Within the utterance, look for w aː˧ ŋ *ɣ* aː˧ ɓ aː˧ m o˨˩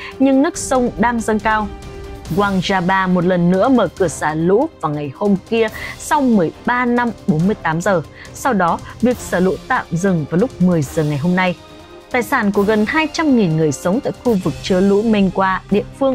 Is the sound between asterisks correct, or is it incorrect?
incorrect